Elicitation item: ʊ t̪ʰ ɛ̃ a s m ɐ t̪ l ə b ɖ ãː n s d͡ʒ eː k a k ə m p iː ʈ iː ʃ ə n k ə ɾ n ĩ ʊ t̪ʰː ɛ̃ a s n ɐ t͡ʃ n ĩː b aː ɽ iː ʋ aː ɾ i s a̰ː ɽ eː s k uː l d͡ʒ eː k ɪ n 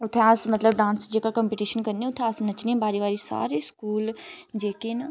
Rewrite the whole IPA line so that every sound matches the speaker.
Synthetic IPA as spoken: ʊ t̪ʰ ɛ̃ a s m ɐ t̪ l ə b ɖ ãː n s d͡ʒ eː k a k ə m p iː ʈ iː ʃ ə n k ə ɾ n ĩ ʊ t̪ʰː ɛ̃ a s n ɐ t͡ʃ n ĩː b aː ɾ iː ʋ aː ɾ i s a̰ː ɾ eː s k uː l d͡ʒ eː k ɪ n